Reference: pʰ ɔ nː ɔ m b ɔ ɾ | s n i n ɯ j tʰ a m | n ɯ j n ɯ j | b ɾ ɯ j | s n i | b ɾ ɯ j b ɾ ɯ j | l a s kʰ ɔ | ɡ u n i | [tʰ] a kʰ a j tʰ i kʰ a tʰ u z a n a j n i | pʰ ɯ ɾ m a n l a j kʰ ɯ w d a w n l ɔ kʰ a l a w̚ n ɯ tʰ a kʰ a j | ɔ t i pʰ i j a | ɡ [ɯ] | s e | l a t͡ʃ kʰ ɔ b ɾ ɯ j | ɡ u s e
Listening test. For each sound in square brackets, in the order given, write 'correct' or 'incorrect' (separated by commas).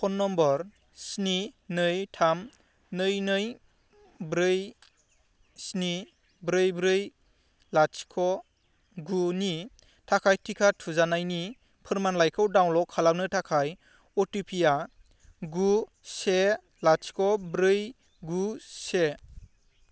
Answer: correct, incorrect